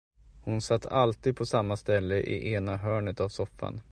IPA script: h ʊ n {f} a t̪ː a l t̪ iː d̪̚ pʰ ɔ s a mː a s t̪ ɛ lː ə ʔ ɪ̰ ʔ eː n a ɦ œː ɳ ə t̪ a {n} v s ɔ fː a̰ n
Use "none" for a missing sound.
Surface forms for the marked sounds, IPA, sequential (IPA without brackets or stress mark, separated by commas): s, none